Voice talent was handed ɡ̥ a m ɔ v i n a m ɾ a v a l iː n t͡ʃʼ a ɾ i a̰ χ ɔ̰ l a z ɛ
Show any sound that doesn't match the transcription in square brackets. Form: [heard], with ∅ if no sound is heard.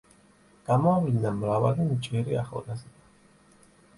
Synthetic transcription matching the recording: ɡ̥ a m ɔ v i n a m ɾ a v a l [i] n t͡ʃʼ [ɛ] ɾ i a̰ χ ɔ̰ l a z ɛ